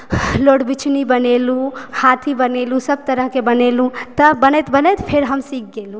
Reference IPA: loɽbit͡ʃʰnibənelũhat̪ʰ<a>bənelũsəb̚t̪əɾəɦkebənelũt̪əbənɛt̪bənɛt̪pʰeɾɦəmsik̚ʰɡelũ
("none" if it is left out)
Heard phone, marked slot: i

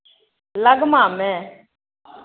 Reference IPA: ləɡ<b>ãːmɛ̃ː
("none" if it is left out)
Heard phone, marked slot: m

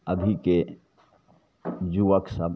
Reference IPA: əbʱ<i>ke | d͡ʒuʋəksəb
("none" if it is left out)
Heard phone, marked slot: i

